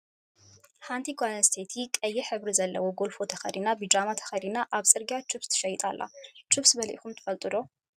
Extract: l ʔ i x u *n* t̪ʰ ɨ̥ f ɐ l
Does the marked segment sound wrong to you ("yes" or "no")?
yes